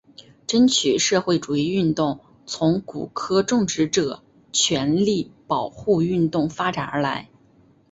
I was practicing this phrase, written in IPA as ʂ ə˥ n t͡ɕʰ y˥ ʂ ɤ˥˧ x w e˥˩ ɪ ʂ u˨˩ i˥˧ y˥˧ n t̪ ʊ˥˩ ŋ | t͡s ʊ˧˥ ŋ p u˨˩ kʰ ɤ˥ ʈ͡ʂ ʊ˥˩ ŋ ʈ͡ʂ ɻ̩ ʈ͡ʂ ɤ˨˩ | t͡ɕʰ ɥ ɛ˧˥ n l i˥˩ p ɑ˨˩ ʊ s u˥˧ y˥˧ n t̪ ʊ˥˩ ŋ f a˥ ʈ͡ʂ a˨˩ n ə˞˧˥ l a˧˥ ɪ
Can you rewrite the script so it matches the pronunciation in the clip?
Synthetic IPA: ʈ͡ʂ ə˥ n t͡ɕʰ y˨˩ ʂ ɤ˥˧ x w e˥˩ ɪ ʈ͡ʂ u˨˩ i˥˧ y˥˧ n t̪ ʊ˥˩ ŋ | t͡sʰ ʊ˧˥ ŋ k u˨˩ kʰ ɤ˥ ʈ͡ʂ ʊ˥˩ ŋ ʈ͡ʂ ɻ̩ ʈ͡ʂ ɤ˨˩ | t͡ɕʰ ɥ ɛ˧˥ n l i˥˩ p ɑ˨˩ ʊ x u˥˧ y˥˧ n t̪ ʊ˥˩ ŋ f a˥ ʈ͡ʂ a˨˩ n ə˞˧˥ l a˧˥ ɪ